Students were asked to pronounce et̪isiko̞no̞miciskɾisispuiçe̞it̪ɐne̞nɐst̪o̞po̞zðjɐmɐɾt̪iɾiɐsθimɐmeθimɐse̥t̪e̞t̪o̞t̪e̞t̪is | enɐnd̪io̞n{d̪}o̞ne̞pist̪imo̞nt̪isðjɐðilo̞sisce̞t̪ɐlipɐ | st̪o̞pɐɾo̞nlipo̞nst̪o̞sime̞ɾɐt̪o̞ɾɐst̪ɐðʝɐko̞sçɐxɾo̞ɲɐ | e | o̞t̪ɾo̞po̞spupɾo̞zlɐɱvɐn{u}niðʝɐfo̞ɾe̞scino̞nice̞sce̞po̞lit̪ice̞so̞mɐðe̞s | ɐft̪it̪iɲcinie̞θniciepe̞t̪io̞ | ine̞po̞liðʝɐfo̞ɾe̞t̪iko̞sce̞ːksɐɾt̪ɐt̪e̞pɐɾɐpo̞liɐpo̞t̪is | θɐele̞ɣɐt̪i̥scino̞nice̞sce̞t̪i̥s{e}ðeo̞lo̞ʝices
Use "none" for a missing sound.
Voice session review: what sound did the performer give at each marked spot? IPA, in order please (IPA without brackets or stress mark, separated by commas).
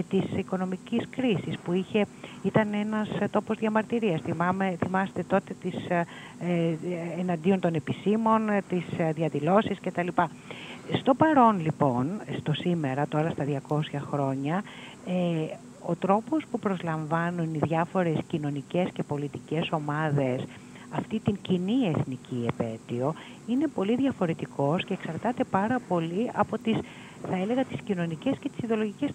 t̪, u, i